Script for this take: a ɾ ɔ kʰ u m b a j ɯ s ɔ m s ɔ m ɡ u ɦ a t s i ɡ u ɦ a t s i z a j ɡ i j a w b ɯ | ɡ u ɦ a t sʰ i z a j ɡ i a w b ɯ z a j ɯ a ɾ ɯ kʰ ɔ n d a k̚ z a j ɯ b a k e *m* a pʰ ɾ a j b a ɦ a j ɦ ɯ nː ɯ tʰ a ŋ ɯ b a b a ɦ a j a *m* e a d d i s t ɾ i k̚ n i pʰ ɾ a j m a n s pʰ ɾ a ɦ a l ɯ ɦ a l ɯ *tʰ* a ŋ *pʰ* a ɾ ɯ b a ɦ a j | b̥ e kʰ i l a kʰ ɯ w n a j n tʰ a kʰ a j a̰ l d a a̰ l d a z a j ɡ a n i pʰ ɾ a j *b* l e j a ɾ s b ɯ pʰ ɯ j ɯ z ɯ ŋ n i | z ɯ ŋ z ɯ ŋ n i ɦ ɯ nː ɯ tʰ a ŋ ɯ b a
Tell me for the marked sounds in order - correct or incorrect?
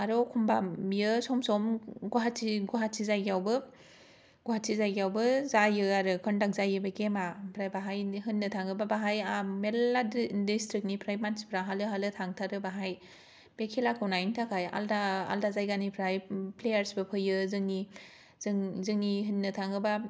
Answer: correct, correct, correct, incorrect: tʰ, incorrect: p

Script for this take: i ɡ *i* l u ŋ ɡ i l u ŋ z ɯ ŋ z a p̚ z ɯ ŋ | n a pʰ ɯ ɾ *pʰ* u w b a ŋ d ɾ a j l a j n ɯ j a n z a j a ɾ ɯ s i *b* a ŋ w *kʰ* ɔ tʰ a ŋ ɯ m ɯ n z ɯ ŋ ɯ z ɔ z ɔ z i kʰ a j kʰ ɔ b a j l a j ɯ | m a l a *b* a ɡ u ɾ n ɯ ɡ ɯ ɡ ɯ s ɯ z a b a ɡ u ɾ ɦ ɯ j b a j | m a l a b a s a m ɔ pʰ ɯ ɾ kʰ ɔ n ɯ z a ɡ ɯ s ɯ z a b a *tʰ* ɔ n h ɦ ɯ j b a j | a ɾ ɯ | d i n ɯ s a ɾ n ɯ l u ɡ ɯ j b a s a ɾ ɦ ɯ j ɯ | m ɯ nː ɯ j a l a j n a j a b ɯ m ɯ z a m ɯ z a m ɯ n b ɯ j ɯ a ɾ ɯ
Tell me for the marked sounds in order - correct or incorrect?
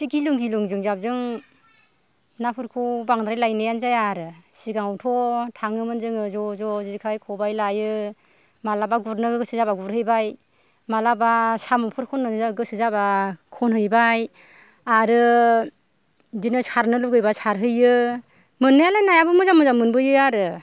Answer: correct, incorrect: kʰ, incorrect: ɡ, incorrect: tʰ, correct, incorrect: kʰ

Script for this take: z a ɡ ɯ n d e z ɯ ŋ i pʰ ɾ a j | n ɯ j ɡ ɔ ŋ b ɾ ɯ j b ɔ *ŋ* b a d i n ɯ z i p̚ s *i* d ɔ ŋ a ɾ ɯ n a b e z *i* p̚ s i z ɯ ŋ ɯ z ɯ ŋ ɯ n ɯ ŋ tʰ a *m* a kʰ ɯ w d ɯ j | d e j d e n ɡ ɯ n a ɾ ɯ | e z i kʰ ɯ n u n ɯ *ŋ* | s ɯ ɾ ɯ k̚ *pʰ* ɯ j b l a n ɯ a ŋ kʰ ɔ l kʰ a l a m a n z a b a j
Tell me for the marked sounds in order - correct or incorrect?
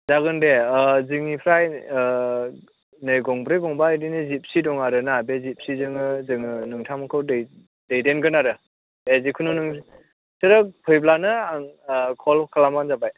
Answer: correct, correct, correct, correct, correct, correct

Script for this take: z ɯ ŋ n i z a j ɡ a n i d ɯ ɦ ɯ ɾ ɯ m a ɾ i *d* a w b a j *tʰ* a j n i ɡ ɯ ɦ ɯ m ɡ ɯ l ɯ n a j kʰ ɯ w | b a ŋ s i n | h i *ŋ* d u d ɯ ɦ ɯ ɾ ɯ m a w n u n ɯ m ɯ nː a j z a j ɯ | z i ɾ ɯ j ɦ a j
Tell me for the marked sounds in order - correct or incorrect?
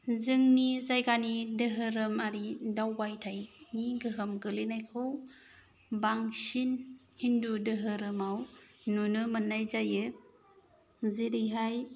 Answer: correct, correct, incorrect: n

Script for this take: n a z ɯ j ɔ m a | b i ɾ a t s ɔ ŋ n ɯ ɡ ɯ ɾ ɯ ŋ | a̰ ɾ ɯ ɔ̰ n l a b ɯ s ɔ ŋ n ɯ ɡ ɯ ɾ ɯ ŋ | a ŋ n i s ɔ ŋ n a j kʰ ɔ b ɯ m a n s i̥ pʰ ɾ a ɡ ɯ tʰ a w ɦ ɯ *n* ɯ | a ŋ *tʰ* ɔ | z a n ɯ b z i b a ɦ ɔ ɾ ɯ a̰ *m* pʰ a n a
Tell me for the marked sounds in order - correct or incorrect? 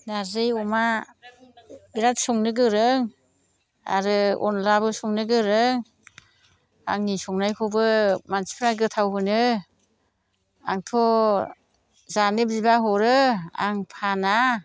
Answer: correct, correct, incorrect: ŋ

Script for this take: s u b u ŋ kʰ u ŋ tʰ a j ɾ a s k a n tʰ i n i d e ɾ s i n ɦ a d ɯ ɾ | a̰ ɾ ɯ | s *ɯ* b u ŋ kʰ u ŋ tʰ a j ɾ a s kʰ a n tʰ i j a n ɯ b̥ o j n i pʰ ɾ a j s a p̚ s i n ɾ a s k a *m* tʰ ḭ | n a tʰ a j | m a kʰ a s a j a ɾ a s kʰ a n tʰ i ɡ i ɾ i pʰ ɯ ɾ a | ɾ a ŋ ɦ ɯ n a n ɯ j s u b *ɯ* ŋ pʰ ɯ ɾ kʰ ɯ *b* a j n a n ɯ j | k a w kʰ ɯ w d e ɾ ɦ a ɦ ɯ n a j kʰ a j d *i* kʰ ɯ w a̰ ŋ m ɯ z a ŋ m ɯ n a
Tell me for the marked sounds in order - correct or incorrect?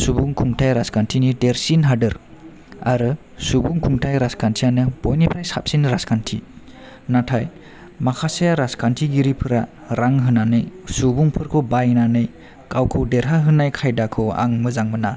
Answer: incorrect: u, incorrect: n, incorrect: u, correct, incorrect: a

